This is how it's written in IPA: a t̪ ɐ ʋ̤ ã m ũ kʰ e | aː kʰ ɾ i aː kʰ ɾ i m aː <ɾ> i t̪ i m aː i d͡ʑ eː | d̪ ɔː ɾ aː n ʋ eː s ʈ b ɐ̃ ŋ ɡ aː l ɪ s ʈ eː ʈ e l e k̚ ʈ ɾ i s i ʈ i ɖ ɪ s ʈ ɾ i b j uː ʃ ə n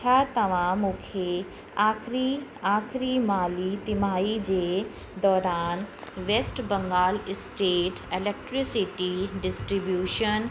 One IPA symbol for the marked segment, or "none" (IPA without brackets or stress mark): l